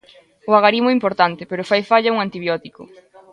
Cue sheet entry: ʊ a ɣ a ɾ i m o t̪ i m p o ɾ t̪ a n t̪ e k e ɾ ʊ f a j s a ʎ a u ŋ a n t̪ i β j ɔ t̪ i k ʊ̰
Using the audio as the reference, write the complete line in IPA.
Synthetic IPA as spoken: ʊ a ɣ a ɾ i m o i m p o ɾ t̪ a n t̪ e p e ɾ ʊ f a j f a ʎ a u ŋ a n t̪ i β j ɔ t̪ i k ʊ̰